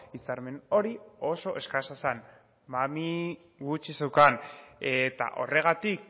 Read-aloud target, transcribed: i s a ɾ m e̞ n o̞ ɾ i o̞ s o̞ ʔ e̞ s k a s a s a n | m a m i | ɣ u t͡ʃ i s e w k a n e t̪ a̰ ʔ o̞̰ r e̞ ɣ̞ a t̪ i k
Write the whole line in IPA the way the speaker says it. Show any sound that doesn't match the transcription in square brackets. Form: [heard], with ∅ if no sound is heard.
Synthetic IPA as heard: i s a ɾ m e̞ n o̞ ɾ i o̞ s o̞ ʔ e̞ s k a s a s a n | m a m i | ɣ u t͡ʃ i s e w k a n e t̪ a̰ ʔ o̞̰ r e̞ ɣ̞ a t̪ i k